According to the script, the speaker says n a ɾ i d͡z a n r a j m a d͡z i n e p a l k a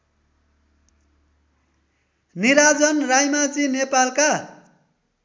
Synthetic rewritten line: n i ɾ a d͡z ʌ n r a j m a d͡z i n e p a l k a